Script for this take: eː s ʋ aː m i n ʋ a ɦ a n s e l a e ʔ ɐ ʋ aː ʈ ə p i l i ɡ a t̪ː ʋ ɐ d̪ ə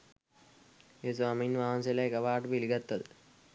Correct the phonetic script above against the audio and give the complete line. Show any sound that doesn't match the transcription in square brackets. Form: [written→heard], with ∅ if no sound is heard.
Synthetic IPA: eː s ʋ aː m i n ʋ a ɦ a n s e l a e [ʔ→k] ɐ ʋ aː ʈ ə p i l i ɡ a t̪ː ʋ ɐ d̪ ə